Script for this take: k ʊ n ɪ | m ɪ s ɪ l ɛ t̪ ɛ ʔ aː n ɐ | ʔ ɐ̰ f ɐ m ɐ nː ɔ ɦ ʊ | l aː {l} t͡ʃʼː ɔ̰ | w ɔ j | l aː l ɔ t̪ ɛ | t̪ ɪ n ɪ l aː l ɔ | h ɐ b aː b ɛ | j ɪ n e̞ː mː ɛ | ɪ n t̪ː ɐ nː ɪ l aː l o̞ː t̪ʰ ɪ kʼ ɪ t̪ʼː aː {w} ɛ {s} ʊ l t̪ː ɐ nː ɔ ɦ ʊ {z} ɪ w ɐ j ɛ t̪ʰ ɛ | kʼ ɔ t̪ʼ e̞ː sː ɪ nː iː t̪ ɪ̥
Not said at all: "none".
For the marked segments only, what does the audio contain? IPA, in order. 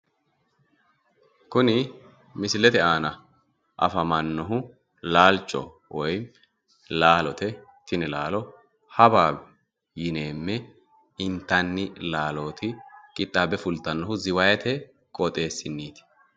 l, b, f, z

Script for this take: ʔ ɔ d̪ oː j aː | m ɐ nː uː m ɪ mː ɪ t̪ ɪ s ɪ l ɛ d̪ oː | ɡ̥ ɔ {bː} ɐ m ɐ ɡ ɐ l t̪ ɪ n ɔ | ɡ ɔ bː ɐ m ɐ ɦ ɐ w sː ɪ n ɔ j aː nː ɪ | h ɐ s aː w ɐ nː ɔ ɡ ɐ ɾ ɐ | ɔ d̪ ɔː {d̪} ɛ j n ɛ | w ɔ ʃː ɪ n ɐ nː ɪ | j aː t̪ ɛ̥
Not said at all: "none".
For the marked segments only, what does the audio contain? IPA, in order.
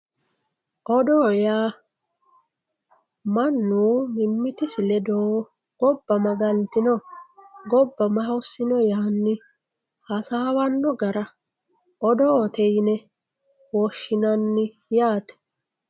bː, t̪

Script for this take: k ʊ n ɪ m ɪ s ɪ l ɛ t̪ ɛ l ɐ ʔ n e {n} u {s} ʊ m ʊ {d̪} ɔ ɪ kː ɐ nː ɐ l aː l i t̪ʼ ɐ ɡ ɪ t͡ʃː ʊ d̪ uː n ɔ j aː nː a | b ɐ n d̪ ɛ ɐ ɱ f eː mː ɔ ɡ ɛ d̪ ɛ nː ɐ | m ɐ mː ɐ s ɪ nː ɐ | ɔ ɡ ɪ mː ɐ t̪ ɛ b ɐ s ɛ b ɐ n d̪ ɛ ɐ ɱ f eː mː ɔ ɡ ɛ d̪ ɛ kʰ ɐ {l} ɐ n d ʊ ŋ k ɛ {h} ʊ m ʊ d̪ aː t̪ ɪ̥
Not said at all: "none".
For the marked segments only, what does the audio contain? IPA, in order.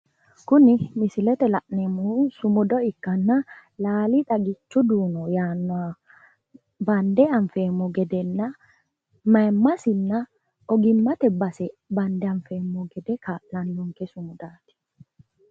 m, s, d̪, l, s

